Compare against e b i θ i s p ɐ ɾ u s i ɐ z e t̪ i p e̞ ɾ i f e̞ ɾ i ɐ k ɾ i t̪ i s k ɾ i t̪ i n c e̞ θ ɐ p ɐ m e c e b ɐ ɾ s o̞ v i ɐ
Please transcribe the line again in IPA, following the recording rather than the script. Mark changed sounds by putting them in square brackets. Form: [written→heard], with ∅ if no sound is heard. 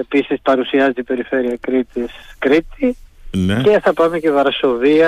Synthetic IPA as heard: e [b→p] i [θ→s] i s p ɐ ɾ u s i ɐ z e t̪ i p e̞ ɾ i f e̞ ɾ i ɐ k ɾ i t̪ i s k ɾ i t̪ i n c e̞ θ ɐ p ɐ m e c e [b→v] ɐ ɾ s o̞ v i ɐ